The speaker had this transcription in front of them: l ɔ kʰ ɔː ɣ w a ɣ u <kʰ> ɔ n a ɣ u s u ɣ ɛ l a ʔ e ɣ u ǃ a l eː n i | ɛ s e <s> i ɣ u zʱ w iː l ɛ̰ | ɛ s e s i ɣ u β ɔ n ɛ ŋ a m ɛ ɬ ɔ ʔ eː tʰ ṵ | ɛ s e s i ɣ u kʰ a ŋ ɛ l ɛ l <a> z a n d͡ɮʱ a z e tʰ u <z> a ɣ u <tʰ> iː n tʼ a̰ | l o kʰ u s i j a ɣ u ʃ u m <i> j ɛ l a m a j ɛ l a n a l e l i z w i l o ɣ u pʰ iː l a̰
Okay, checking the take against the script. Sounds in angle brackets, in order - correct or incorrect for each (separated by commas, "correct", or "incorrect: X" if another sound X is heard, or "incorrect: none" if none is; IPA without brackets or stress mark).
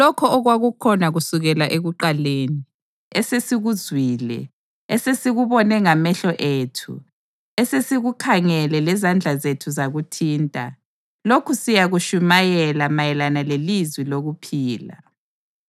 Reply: correct, correct, incorrect: ɛ, correct, correct, incorrect: a